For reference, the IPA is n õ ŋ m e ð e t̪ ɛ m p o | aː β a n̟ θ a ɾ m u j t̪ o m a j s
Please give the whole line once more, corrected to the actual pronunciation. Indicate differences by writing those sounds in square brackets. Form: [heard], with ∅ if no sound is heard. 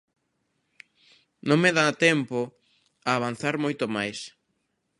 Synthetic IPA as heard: n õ ŋ m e ð [a] t̪ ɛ m p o | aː β a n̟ θ a ɾ m [o] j t̪ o m a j s